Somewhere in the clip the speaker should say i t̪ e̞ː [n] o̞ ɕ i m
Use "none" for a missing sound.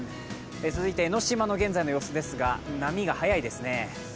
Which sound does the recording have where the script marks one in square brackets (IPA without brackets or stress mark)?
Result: n